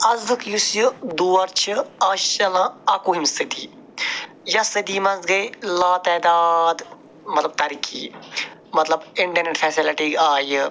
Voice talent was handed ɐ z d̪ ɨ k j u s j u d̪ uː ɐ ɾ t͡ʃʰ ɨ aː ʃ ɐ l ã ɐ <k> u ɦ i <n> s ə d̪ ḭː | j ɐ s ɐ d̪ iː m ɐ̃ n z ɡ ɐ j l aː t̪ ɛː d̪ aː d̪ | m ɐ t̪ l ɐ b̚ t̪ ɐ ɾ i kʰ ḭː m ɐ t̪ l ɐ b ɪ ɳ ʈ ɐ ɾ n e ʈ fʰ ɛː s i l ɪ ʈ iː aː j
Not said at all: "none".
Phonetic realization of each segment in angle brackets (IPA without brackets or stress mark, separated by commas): k, m